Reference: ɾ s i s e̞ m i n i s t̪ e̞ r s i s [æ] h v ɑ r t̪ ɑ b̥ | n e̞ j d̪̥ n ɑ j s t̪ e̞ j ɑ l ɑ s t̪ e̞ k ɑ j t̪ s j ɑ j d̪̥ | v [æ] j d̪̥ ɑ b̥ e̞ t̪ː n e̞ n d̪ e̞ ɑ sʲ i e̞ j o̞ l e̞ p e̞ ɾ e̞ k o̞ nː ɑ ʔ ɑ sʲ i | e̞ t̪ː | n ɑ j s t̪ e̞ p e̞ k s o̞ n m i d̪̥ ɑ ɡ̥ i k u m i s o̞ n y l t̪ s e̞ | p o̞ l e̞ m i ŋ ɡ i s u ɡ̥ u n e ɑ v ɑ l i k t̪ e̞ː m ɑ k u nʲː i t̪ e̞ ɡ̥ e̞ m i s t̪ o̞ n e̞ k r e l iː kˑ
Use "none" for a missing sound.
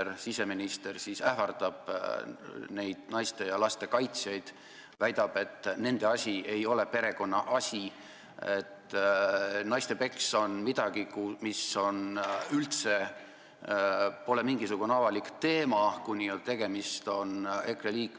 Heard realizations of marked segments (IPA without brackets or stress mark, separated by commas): æ, æ